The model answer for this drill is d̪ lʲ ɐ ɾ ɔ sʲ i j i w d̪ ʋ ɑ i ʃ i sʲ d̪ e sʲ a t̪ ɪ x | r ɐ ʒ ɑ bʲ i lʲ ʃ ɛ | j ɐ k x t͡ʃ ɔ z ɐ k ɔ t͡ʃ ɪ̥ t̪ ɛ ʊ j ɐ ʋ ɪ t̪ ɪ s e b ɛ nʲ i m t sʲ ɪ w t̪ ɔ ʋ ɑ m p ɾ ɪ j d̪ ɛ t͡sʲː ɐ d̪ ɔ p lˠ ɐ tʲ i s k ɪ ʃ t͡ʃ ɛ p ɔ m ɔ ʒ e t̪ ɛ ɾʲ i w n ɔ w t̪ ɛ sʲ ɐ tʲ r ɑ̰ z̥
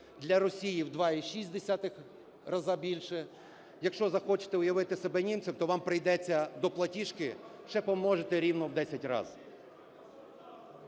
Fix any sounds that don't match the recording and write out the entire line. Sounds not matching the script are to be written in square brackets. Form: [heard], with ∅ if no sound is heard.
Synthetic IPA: d̪ lʲ ɐ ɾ ɔ sʲ i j i w d̪ ʋ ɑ i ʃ i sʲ d̪ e sʲ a t̪ ɪ x | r ɐ [z] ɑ bʲ i lʲ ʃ ɛ | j ɐ k [ʃ] t͡ʃ ɔ z ɐ [x] ɔ t͡ʃ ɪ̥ t̪ ɛ ʊ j ɐ ʋ ɪ t̪ ɪ s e b ɛ nʲ i m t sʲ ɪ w t̪ ɔ ʋ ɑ m p ɾ ɪ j d̪ ɛ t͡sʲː ɐ d̪ ɔ p lˠ ɐ tʲ i [ʃ] k ɪ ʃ t͡ʃ ɛ p ɔ m ɔ ʒ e t̪ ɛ ɾʲ i w n ɔ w [d̪] ɛ sʲ ɐ tʲ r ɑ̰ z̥